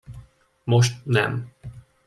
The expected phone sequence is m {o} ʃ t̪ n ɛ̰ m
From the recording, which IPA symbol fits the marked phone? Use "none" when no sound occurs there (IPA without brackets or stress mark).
o